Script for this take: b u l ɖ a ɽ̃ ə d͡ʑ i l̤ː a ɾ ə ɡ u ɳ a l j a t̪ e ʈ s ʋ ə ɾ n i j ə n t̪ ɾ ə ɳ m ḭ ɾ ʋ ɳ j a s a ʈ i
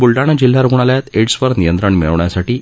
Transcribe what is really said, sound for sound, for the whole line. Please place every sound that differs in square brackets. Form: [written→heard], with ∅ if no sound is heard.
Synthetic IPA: b u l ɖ a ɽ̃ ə d͡ʑ i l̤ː a ɾ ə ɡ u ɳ a l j a t̪ e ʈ s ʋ ə ɾ n i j ə n t̪ ɾ ə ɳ m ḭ [ɾ→ɭ] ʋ ɳ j a s a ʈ [i→iː]